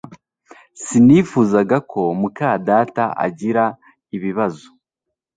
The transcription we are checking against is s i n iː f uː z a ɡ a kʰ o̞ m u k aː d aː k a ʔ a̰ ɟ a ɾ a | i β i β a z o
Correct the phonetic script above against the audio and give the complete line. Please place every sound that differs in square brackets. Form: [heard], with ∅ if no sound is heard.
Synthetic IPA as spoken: s i n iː f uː z a ɡ a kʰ o̞ m u k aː d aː [t] a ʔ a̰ ɟ [i] ɾ a | i β i β a z o